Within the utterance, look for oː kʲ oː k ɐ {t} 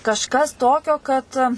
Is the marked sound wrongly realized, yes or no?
no